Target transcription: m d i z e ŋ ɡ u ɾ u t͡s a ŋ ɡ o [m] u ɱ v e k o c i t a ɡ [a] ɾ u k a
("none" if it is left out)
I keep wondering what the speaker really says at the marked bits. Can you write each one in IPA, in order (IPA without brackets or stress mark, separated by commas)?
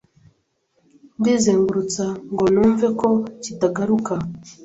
n, a